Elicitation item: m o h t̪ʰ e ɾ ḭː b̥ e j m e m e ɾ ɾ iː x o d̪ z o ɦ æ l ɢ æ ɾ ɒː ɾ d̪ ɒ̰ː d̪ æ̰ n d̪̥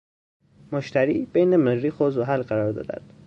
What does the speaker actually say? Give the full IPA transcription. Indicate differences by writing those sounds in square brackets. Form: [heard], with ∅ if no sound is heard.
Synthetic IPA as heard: m o [ʃ] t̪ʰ [æ] ɾ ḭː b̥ e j [n] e m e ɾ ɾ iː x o [∅] z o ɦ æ l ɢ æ ɾ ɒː ɾ d̪ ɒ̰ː d̪ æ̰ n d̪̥